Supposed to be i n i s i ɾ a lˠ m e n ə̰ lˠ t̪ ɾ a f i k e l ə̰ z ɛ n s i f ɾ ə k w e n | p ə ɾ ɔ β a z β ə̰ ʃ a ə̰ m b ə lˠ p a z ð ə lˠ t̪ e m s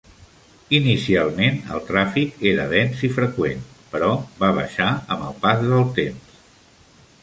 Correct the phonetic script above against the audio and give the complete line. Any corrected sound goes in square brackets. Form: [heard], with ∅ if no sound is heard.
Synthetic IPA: i n i s i [∅] a lˠ m e n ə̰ lˠ t̪ ɾ a f i k e [ɾ] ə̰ [ð] ɛ n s i f ɾ ə k w e n | p ə ɾ ɔ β a [∅] β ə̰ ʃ a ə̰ m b ə lˠ p a z ð ə lˠ t̪ e m s